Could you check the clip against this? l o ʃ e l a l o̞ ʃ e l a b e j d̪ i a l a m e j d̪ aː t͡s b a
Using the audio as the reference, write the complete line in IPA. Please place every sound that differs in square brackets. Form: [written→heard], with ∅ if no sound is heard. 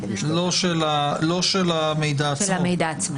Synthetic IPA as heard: l o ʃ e l a l o̞ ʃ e l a [b→m] e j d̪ [i→a] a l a m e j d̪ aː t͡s [b→m] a